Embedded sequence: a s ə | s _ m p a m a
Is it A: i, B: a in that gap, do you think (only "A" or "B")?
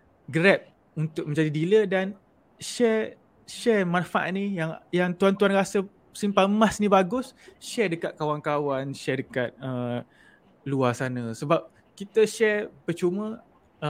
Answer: A